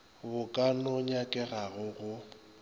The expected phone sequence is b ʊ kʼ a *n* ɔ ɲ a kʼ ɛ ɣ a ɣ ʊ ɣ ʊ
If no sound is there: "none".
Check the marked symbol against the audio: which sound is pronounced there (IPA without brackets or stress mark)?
n